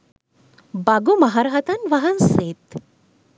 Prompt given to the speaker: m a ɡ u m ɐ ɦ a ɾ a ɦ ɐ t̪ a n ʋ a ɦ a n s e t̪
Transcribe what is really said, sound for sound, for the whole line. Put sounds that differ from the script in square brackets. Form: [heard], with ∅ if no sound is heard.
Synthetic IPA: [b] a ɡ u m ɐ ɦ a ɾ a ɦ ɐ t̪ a n ʋ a ɦ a n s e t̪